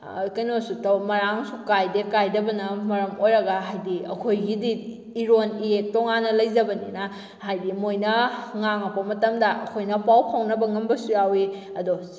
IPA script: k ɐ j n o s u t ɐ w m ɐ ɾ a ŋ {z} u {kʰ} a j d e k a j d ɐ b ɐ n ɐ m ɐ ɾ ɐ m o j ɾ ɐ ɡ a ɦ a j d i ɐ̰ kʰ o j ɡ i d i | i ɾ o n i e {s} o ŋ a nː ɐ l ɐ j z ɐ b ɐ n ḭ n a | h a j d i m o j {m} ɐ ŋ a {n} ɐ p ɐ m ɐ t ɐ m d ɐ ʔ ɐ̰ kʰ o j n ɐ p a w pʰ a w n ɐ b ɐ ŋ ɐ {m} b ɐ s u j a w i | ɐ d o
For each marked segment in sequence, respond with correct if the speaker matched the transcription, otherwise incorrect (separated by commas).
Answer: incorrect, incorrect, incorrect, incorrect, incorrect, correct